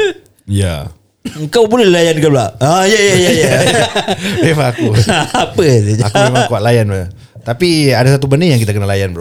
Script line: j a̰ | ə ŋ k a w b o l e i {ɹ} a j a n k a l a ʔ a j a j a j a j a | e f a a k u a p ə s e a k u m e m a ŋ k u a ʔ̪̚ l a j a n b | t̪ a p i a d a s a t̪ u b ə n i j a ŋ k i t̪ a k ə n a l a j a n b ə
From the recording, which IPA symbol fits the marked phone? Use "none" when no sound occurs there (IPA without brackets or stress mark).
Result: l